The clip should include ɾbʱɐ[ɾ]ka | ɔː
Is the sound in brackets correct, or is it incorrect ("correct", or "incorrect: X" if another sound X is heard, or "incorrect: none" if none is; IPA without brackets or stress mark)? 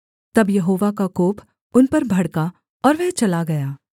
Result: incorrect: ɽ